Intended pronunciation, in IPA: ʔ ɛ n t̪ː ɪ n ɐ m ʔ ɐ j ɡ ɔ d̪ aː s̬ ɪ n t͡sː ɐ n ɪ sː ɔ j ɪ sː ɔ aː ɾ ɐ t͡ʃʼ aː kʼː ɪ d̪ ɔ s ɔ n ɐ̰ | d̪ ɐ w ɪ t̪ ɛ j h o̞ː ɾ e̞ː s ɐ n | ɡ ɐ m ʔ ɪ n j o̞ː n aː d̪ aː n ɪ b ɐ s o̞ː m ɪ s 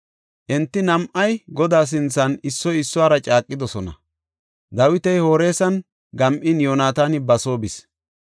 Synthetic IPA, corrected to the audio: ʔ ɛ n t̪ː ɪ n ɐ m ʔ ɐ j ɡ ɔ d̪ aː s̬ ɪ n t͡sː ɐ n ɪ sː ɔ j ɪ sː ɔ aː ɾ ɐ t͡ʃʼ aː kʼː ɪ d̪ ɔ s ɔ n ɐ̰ | d̪ ɐ w ɪ t̪ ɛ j h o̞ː ɾ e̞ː s ɐ n | ɡ ɐ m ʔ ɪ n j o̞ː n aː t̪ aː n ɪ b ɐ s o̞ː b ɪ s